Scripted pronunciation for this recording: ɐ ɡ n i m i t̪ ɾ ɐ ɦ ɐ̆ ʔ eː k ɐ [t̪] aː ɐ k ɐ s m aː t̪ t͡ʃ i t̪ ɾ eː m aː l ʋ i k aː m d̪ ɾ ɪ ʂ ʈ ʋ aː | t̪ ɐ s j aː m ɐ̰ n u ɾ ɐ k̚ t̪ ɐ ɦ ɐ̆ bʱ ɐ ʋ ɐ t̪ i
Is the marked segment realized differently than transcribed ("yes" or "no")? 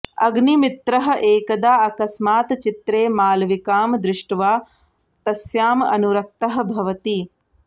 yes